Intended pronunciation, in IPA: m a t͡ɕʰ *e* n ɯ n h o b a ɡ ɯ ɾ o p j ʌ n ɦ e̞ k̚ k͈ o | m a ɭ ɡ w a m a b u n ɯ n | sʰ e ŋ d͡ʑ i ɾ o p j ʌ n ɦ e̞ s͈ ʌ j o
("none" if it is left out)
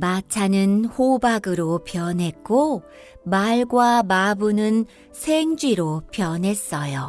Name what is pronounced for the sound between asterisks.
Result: a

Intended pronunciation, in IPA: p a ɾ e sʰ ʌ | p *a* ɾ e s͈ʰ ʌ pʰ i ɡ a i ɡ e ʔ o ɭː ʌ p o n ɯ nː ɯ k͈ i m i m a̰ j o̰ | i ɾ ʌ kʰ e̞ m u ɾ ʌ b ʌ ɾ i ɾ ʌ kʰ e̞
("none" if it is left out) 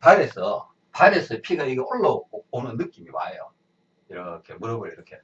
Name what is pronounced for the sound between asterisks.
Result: a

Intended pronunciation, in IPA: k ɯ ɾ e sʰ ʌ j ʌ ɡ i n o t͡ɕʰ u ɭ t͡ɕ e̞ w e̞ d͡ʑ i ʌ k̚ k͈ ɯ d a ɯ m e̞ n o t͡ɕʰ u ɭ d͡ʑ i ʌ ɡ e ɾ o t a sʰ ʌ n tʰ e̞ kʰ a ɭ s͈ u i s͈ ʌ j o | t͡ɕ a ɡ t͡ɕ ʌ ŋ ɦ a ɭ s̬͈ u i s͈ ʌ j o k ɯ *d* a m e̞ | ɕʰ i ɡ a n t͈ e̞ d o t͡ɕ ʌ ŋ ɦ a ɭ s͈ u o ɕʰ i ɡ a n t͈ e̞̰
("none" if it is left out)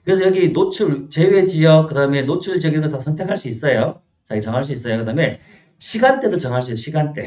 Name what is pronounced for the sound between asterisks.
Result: d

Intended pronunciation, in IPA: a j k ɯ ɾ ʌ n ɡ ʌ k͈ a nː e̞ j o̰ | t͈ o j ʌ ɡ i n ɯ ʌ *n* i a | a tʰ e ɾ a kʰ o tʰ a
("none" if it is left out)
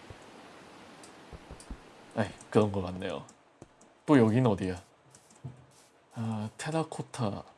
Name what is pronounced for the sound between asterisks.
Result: d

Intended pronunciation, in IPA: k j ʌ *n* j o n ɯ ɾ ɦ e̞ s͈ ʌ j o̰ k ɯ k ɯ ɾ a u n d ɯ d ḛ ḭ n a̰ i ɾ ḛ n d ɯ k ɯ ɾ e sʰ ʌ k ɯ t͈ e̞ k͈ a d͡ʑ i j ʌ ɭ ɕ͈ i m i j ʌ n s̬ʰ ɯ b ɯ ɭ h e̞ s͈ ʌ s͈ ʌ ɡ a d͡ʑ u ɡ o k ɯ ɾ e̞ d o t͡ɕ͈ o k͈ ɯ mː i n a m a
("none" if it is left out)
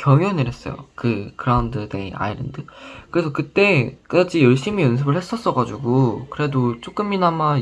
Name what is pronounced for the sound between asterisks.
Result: ŋ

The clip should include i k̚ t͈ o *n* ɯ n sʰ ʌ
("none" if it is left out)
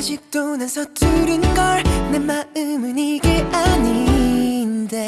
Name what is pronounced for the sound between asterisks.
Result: n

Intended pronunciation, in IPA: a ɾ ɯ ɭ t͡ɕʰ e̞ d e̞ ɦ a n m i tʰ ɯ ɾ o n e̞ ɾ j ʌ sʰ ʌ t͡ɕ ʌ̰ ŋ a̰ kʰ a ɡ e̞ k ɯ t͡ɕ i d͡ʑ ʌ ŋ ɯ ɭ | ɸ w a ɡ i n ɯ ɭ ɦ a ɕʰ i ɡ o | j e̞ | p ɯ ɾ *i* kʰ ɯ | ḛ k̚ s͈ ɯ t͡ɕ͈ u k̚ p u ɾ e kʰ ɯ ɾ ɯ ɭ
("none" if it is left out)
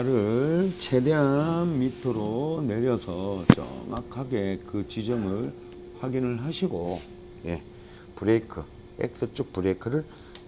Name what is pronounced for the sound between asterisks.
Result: e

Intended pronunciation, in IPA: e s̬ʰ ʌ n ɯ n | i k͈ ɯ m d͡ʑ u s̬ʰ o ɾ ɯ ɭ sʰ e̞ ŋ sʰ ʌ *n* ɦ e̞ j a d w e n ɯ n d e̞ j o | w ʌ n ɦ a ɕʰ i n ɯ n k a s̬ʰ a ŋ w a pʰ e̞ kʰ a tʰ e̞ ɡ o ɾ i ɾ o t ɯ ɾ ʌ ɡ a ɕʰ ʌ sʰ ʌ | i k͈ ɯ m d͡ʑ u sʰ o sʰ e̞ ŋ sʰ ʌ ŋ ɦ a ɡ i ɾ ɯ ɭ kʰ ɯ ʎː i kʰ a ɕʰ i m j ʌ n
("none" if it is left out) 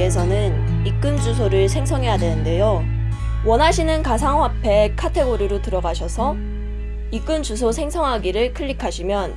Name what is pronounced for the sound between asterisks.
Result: ŋ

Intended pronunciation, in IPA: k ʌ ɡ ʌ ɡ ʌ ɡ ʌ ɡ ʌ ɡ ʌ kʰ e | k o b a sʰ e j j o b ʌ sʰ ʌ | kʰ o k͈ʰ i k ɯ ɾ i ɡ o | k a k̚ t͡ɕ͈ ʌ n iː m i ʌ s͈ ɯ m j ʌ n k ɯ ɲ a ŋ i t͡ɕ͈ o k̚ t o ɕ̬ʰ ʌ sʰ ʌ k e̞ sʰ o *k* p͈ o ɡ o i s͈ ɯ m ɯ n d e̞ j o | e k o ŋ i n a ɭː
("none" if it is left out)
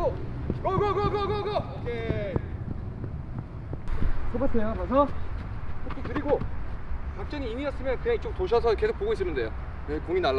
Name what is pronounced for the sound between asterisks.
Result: k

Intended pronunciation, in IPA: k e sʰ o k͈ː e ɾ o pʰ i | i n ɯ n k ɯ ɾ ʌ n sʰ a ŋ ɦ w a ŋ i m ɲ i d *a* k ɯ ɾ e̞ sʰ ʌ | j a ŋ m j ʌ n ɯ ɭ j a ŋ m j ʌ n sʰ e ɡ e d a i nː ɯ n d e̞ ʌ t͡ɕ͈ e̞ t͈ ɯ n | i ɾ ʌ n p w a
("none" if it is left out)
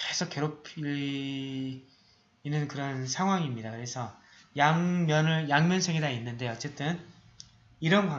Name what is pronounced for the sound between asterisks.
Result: a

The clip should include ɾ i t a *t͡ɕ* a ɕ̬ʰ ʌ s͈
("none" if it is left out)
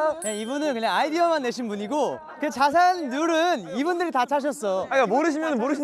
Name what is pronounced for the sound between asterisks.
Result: t͡ɕʰ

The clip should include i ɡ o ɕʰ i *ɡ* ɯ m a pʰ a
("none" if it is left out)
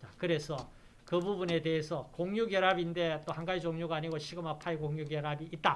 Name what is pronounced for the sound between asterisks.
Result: ɡ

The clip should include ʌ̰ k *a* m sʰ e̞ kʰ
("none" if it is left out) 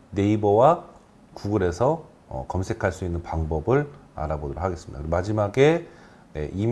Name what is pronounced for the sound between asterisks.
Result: ʌ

